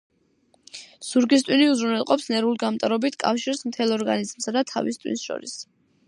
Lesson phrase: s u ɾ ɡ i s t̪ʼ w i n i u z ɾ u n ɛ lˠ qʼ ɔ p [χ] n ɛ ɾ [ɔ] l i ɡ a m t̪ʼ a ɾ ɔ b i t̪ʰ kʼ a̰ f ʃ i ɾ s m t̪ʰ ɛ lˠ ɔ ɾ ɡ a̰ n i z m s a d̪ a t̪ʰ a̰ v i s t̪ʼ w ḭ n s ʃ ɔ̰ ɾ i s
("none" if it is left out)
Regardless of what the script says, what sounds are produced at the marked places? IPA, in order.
s, u

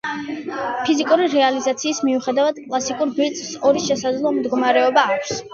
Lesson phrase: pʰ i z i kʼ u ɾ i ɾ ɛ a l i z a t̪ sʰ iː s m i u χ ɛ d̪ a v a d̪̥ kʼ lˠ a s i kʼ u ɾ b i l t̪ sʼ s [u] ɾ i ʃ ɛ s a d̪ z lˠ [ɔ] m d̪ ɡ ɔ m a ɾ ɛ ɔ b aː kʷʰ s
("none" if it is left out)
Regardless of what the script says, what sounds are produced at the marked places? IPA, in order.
ɔ, ɔ

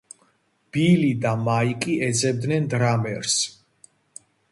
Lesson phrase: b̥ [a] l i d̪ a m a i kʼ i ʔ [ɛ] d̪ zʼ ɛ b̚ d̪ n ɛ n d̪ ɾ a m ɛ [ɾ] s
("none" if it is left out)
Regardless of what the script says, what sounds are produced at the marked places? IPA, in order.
i, ɛ, ɾ

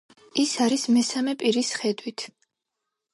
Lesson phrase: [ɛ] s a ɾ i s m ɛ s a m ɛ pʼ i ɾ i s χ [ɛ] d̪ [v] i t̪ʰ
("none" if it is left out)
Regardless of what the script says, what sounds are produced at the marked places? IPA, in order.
i, ɛ, w

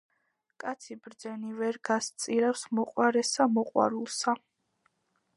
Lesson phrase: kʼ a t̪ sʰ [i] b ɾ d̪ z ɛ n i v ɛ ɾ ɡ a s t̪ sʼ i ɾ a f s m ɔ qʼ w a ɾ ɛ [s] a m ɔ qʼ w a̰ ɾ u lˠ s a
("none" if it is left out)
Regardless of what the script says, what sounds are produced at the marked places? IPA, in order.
i, s

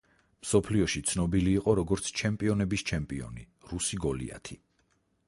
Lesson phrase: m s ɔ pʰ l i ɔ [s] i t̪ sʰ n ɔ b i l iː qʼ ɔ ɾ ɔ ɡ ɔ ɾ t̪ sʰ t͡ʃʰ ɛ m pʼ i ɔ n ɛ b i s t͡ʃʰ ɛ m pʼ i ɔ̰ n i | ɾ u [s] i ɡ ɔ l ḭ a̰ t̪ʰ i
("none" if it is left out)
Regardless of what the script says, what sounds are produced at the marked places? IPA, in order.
ʃ, s

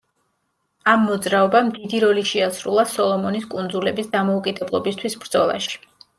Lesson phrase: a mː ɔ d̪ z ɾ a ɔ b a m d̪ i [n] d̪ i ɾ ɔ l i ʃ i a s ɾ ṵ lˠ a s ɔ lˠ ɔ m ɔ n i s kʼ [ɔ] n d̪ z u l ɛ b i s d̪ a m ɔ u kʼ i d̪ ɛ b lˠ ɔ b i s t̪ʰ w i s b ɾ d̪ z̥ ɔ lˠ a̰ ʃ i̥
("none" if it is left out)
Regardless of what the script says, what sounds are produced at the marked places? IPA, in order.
none, u

